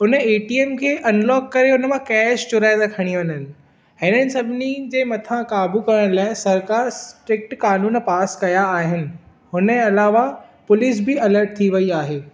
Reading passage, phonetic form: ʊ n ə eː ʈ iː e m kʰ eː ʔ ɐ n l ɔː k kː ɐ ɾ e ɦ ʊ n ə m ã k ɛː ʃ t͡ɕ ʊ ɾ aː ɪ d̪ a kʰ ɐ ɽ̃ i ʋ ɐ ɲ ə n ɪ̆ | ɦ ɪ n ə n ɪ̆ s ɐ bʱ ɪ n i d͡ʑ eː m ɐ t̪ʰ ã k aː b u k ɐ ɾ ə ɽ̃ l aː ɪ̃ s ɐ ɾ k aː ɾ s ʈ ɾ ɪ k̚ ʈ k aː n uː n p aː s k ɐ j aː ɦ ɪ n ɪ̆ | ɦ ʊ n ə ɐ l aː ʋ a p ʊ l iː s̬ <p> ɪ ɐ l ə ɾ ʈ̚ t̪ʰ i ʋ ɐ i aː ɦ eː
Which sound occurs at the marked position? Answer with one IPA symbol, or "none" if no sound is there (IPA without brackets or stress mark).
b